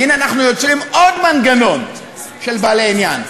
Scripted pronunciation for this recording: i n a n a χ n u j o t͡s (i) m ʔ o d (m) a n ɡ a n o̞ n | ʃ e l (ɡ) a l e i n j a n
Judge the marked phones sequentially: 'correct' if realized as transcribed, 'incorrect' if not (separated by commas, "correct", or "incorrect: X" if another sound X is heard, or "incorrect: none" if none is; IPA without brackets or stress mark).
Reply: correct, correct, incorrect: b